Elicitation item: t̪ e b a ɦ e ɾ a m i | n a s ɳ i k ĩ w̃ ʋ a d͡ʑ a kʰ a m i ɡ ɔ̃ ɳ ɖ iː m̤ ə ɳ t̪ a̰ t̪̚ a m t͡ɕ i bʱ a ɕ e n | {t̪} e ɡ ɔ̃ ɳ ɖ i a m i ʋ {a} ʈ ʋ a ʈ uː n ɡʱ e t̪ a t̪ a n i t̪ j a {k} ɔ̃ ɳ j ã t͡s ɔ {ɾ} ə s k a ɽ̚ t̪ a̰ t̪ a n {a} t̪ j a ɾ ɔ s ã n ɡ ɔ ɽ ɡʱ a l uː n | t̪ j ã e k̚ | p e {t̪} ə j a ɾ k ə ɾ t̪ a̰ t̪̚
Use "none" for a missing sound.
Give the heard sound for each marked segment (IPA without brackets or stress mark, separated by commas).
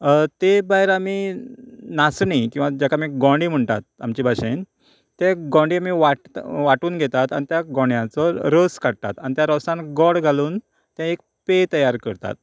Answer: t̪, a, ɡ, ɾ, i, t̪